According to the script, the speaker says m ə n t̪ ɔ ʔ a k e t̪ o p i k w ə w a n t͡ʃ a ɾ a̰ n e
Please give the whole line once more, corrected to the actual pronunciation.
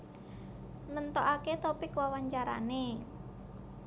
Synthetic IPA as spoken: n ə n t̪ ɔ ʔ a k e t̪ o p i k w a w a ɲ t͡ʃ a ɾ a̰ n e